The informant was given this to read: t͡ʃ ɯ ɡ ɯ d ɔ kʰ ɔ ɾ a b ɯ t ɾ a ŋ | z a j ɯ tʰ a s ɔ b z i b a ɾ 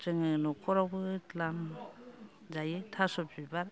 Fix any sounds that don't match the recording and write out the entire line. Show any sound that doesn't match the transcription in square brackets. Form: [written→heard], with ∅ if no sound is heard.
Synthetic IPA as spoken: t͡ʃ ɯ [ɡ→ŋ] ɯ [d→n] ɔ kʰ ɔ ɾ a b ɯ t [ɾ→l] a [ŋ→m] | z a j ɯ tʰ a s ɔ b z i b a ɾ